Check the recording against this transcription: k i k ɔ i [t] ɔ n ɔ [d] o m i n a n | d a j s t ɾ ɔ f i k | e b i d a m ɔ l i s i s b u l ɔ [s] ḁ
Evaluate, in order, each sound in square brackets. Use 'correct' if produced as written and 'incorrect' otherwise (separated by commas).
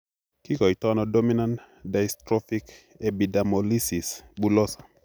correct, correct, correct